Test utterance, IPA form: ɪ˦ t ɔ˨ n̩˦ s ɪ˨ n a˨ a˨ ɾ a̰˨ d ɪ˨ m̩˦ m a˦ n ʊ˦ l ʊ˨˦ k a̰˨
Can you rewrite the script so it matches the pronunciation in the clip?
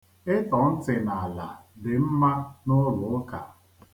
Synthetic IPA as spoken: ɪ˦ t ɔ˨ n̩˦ t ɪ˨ n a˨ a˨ l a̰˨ d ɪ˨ m̩˦ m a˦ n ʊ˦ l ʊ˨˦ k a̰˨